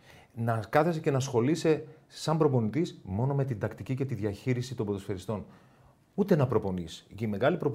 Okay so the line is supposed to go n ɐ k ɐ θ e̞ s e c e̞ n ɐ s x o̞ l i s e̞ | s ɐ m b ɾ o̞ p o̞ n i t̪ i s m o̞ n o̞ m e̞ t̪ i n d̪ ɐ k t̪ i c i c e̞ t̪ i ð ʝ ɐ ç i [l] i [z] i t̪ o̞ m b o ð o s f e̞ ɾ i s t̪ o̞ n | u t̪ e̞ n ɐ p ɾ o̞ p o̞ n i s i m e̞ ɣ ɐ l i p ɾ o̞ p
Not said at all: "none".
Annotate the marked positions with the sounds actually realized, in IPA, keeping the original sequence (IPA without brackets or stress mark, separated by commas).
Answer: ɾ, s